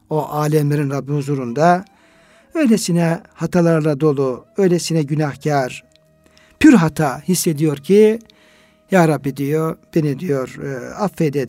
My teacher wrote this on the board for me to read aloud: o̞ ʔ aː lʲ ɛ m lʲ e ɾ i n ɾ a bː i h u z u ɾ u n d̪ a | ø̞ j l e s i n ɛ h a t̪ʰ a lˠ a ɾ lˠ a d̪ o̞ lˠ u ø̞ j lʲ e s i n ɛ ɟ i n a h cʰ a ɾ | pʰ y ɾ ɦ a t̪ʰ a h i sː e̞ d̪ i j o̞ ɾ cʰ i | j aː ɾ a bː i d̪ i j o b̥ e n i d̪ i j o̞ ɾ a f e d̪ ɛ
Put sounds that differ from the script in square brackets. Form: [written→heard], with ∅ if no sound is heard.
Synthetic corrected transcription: o̞ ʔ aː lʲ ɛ m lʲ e ɾ i n ɾ a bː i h u z u ɾ u n d̪ a | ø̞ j l e s i n ɛ h a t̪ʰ a lˠ a ɾ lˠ a d̪ o̞ lˠ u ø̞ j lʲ e s i n ɛ ɟ [i→y] n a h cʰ a ɾ | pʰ y ɾ ɦ a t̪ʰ a h i sː e̞ d̪ i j o̞ ɾ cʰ i | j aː ɾ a bː i d̪ i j o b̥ e n i d̪ i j o̞ ɾ a f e d̪ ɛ